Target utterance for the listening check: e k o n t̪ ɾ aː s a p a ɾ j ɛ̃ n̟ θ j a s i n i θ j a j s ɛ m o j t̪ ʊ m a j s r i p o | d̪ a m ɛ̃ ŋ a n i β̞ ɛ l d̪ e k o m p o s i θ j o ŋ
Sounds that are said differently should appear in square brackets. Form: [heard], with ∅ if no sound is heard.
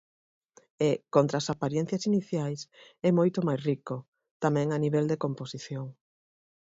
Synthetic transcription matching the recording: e k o n t̪ ɾ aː s a p a ɾ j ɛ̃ n̟ θ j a s i n i θ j a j s ɛ m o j t̪ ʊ m a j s r i [k] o | [t̪] a m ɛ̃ ŋ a n i β̞ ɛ l d̪ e k o m p o s i θ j o ŋ